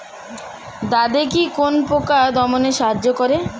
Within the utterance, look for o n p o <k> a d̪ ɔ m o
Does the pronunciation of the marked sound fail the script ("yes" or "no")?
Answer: no